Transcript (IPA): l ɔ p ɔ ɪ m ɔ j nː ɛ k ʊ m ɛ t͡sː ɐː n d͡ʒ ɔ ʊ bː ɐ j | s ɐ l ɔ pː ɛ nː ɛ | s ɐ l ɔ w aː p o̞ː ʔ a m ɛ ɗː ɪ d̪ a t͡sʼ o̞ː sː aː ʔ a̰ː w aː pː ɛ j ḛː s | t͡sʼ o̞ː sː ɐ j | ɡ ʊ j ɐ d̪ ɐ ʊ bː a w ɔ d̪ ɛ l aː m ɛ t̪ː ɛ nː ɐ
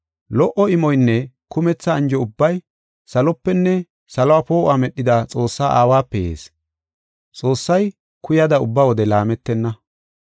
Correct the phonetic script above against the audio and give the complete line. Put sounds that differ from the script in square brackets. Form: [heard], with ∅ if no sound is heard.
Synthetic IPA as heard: l ɔ [ʔ] ɔ ɪ m ɔ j nː ɛ k ʊ m ɛ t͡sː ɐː n d͡ʒ ɔ ʊ bː ɐ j | s ɐ l ɔ pː ɛ nː ɛ | s ɐ l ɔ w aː p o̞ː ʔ a m ɛ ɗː ɪ d̪ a t͡sʼ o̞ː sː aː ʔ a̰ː w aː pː ɛ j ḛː s | t͡sʼ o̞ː sː ɐ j | [k] ʊ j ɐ d̪ ɐ ʊ bː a w ɔ d̪ ɛ l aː m ɛ t̪ː ɛ nː ɐ